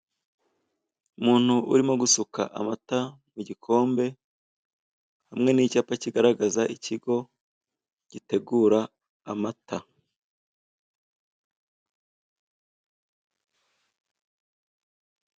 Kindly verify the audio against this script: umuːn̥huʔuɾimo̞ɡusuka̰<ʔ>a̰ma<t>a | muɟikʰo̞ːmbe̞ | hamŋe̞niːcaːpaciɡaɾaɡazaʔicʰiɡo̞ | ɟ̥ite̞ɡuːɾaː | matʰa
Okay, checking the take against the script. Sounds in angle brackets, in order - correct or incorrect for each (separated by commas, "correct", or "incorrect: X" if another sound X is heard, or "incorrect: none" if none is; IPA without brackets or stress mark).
correct, correct